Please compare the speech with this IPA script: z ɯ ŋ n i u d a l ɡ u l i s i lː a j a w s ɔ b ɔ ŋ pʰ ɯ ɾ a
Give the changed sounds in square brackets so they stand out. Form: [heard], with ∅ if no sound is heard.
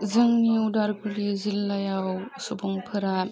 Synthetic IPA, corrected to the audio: z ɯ ŋ n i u d a [ɾ] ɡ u l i [z] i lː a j a w s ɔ b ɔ ŋ pʰ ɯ ɾ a